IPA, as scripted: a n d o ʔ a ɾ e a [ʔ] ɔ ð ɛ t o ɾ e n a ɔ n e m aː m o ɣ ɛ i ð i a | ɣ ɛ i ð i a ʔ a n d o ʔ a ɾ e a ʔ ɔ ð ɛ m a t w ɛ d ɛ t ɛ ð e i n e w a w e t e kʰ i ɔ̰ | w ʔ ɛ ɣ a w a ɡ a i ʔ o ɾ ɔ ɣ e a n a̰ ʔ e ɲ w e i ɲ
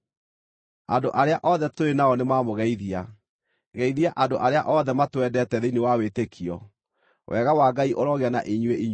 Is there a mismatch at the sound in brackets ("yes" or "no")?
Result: no